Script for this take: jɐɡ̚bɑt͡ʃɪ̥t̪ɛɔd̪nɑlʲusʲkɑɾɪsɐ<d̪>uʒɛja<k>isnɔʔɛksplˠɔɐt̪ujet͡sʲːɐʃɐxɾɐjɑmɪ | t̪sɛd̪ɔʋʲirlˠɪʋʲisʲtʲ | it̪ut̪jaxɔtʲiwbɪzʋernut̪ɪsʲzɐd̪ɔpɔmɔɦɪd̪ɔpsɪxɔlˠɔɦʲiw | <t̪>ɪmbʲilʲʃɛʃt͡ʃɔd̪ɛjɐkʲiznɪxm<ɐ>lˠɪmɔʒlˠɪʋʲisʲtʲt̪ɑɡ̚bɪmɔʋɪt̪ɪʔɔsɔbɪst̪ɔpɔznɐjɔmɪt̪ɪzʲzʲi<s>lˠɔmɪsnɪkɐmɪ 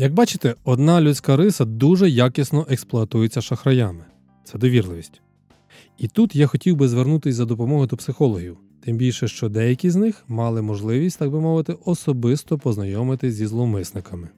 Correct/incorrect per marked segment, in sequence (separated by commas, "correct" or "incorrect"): correct, correct, correct, incorrect, incorrect